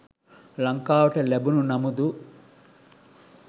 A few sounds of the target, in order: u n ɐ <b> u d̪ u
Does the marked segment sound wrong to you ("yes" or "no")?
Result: yes